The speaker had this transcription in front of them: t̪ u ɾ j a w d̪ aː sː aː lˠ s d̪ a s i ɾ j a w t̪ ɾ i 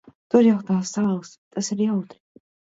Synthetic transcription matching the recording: t̪ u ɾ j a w t̪ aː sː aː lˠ s t̪ a s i ɾ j a w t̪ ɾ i